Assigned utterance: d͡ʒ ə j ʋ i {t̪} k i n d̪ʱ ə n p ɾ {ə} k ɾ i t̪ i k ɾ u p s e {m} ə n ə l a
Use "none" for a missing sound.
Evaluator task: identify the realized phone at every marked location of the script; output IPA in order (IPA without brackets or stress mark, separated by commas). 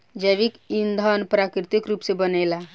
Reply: none, a, b